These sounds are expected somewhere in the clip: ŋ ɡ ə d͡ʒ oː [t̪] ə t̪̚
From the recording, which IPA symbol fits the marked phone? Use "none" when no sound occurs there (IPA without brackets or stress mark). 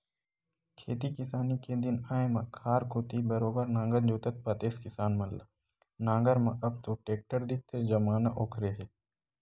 t̪